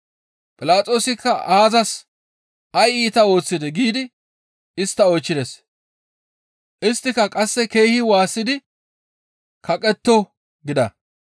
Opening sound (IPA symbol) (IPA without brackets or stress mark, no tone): pʼ